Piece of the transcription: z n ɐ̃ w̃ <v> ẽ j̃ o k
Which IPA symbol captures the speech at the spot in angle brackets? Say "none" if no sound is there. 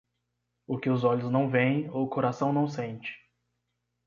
v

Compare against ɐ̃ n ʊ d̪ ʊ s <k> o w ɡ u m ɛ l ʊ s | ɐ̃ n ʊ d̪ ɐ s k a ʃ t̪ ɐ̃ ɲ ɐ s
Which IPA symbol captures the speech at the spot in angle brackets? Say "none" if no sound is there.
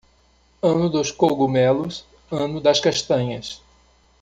k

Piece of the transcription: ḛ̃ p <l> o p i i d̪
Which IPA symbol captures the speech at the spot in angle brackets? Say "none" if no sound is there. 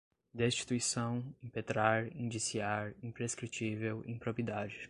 ɾ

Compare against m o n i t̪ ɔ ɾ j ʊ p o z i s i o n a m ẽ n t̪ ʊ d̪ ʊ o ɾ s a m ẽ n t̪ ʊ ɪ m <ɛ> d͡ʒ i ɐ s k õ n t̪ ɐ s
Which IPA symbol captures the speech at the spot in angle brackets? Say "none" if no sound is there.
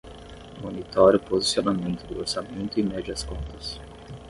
ɛ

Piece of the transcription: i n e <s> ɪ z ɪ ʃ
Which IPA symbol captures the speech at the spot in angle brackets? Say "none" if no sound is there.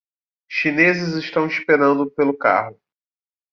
z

